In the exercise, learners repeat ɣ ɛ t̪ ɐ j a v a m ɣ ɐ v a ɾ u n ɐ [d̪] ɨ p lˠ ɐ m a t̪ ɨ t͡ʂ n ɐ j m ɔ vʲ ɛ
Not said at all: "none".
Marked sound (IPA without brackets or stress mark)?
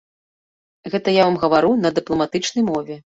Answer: d̪